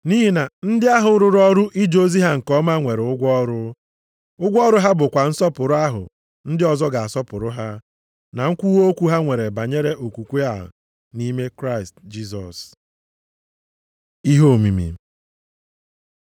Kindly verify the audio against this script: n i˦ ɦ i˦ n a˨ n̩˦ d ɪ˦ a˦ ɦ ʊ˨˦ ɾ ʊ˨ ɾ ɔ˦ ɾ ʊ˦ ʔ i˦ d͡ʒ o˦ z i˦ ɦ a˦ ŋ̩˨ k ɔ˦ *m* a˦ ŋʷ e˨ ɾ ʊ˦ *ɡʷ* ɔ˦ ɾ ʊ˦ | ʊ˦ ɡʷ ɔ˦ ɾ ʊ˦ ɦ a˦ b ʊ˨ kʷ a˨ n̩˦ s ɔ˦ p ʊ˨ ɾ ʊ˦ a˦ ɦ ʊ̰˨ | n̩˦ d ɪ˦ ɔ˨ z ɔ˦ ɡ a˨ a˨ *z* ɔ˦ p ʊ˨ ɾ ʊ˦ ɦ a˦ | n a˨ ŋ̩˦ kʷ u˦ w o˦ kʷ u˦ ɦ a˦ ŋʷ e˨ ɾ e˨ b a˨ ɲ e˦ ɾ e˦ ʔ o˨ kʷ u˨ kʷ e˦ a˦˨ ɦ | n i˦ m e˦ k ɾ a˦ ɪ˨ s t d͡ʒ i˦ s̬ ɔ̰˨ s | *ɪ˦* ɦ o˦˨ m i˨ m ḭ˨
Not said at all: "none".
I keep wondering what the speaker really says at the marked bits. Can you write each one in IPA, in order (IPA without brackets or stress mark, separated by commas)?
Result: m, ɡʷ, s, i˦